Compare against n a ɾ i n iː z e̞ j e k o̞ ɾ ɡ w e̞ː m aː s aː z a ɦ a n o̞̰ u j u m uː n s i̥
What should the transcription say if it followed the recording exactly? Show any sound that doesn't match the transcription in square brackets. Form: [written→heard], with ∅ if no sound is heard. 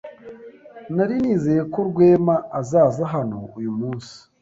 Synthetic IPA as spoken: n a ɾ i n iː z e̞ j e k o̞ ɾ ɡ w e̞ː m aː [s→z] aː z a ɦ a n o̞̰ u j u m uː n s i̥

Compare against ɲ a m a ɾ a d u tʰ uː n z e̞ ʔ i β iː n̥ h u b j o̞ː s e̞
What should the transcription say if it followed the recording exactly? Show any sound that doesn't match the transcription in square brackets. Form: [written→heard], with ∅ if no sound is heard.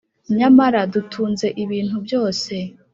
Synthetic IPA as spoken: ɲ a m a ɾ a d u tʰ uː n z e̞ ʔ i β iː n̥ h u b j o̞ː s e̞

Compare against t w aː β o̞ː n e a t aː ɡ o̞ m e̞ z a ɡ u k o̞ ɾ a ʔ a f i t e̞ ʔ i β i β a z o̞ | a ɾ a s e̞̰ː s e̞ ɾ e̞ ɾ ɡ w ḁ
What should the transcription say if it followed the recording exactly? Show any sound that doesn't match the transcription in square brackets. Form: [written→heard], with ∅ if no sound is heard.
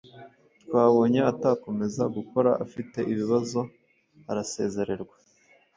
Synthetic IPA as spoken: t w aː β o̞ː [n→ɲ] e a t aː [ɡ→k] o̞ m e̞ z a ɡ u k o̞ ɾ a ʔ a f i t e̞ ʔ i β i β a z o̞ | a ɾ a s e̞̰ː [s→z] e̞ ɾ e̞ ɾ ɡ w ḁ

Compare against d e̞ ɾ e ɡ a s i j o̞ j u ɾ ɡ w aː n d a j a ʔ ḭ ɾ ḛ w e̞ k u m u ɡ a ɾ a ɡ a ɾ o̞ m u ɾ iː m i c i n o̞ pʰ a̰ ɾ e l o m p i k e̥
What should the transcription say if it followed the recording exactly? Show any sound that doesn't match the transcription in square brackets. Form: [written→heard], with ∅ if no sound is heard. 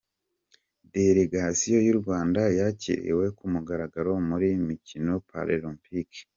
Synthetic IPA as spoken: d e̞ ɾ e ɡ a s i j o̞ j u ɾ ɡ w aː n d a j a [ʔ→c] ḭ ɾ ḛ w e̞ k u m u ɡ a ɾ a ɡ a ɾ o̞ m u ɾ [iː→i] m i c i n o̞ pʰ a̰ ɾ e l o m p i k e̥

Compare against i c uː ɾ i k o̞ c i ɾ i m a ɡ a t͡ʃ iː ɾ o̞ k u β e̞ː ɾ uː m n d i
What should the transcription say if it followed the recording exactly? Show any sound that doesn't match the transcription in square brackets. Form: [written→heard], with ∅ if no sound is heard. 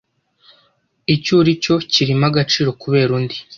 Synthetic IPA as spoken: i c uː ɾ i [k→c] o̞ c i ɾ i m a ɡ a t͡ʃ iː ɾ o̞ k u β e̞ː ɾ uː [m→∅] n d i

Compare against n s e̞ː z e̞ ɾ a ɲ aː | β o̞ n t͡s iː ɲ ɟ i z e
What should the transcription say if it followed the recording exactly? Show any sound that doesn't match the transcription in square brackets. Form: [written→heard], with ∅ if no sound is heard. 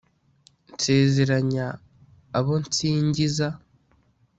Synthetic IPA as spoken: n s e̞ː z e̞ ɾ a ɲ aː | β o̞ n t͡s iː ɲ ɟ i z [e→a]

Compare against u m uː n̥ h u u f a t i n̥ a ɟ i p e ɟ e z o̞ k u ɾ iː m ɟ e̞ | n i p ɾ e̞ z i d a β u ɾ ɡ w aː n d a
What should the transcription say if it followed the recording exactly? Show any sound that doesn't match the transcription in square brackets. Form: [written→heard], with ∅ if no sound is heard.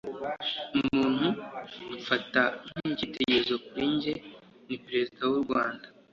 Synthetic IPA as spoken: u m uː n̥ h u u f a t [i→a] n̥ [a→i] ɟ i [p→t] e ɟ e z o̞ k u ɾ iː [m→ɲ] ɟ e̞ | n i p ɾ e̞ z i d a [β→w] u ɾ ɡ w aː n d a

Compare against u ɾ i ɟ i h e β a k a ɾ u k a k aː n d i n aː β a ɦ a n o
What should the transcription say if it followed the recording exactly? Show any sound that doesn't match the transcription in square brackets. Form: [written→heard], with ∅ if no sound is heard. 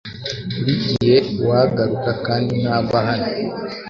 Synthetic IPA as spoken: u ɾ i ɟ i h e [β→w] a [k→ɡ] a ɾ u k a k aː n d i n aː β a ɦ a n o

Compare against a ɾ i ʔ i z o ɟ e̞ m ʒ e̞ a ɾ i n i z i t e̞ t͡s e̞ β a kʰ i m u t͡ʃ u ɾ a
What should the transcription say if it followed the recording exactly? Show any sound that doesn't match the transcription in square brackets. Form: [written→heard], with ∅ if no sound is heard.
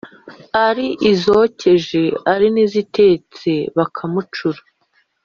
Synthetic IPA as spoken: a ɾ i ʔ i z o [ɟ→c] e̞ [m→∅] ʒ e̞ a ɾ i n i z i t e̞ t͡s e̞ β a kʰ [i→a] m u t͡ʃ u ɾ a

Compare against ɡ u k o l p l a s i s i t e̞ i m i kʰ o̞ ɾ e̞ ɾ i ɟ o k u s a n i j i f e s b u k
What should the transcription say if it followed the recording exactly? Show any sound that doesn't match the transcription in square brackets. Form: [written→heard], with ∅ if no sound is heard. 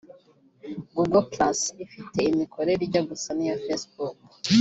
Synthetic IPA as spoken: ɡ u [k→ɡ] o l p l a s i [s→f] i t e̞ i m i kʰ o̞ ɾ e̞ ɾ i ɟ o [k→ɡ] u s a n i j [i→a] f e s b u k

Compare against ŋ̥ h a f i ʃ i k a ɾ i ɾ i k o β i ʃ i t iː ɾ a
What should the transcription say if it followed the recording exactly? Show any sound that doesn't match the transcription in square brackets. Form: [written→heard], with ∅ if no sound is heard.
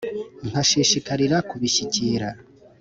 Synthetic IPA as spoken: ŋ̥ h a [f→ʃ] i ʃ i k a ɾ i ɾ [i→a] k [o→u] β i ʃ i [t→c] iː ɾ a

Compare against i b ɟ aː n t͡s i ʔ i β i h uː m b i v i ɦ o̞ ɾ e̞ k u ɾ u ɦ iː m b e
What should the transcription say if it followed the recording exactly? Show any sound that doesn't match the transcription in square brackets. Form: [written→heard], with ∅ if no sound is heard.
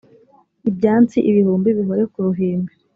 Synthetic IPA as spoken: i b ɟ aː n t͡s i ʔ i β i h uː m b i [v→β] i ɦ o̞ ɾ e̞ k u ɾ u ɦ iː m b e

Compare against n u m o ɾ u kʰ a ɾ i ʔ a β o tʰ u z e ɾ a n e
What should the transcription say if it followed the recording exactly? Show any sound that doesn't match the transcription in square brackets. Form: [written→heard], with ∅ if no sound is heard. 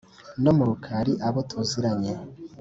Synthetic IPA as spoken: n [u→o] m [o→u] ɾ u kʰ a ɾ i ʔ a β o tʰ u z [e→i] ɾ a [n→ɲ] e

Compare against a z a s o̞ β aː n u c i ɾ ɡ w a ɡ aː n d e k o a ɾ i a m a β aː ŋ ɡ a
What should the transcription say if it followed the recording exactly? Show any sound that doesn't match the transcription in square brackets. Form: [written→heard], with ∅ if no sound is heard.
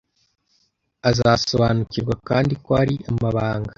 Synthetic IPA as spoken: a z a s o̞ β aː n u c i ɾ ɡ w a [ɡ→k] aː n d [e→i] k o a ɾ i a m a β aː ŋ ɡ a

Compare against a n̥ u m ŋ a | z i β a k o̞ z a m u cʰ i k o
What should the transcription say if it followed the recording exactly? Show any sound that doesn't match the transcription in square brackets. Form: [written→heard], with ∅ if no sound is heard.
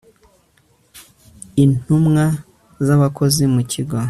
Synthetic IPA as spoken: [a→i] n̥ u m ŋ a | z [i→a] β a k o̞ z [a→i] m u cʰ i [k→ɡ] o

